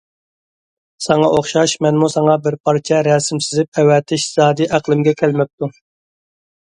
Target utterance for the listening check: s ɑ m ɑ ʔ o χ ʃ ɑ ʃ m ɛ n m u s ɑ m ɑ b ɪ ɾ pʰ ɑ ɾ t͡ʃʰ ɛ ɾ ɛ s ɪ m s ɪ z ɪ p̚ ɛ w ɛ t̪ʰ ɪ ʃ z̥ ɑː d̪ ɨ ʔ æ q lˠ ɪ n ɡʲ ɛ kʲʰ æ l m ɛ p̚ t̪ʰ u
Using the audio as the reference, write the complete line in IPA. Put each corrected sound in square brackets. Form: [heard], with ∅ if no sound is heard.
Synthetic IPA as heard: s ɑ [ŋ] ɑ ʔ o χ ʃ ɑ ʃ m ɛ n m u s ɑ [ŋ] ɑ b ɪ ɾ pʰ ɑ ɾ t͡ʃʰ ɛ ɾ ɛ s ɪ m s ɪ z ɪ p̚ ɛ w ɛ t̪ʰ ɪ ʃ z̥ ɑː d̪ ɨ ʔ æ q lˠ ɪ [m] ɡʲ ɛ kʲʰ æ l m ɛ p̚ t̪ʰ u